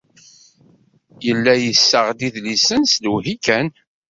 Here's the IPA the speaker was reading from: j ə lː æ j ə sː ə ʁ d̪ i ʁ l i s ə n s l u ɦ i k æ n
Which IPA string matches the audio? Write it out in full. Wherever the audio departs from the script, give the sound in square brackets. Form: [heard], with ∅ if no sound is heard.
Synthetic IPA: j ə lː æ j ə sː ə ʁ d̪ i [ð] l i s ə n s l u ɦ i k æ n